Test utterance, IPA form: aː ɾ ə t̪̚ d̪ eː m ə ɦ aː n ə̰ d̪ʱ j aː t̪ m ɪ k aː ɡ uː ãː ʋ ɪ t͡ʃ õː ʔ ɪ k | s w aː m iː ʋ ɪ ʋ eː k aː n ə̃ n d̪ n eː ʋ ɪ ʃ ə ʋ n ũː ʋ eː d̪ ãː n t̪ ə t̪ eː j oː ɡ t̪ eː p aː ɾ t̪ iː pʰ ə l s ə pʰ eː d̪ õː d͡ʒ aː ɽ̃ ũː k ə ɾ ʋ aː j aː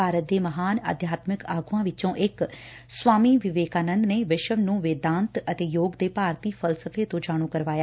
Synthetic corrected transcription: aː ɾ ə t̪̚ d̪ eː m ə ɦ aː n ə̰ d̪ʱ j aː t̪ m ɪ k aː ɡ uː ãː ʋ ɪ t͡ʃ õː ʔ ɪ k | s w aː m iː ʋ ɪ ʋ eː k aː n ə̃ n d̪ n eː ʋ ɪ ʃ ə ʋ n ũː ʋ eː d̪ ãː n t̪ ə t̪ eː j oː ɡ d̪ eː p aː ɾ t̪ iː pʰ ə l s ə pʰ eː t̪ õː d͡ʒ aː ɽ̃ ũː k ə ɾ ʋ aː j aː